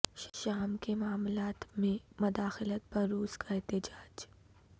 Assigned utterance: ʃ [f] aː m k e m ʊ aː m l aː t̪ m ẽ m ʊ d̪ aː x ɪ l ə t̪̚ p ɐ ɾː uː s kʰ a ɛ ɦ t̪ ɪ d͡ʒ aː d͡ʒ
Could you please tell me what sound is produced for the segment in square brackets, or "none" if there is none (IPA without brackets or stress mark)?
ʃ